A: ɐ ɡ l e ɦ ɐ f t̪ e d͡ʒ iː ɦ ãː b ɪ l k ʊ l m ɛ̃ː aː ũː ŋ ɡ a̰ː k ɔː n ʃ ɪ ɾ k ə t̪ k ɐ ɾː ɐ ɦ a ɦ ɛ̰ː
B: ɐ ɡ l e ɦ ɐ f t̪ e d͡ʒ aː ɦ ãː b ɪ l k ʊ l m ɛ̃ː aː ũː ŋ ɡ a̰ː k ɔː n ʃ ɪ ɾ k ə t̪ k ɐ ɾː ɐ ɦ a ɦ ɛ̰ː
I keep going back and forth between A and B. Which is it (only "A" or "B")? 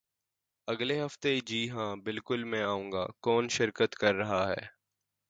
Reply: A